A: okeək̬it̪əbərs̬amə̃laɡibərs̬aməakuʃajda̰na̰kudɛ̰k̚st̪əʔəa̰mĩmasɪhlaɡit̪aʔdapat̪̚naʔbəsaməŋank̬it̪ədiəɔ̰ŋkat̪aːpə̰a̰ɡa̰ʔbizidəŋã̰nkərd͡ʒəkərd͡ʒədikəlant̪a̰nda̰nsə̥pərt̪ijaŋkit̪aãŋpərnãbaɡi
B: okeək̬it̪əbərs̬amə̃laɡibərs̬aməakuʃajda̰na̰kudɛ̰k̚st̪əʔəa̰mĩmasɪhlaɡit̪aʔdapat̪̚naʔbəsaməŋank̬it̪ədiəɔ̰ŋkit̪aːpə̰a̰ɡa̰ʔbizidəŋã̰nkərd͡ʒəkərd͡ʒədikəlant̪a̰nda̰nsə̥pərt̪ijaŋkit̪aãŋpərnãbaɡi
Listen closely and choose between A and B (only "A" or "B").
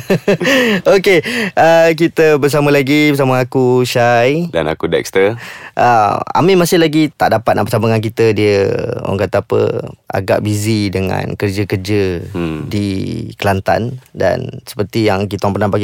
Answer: A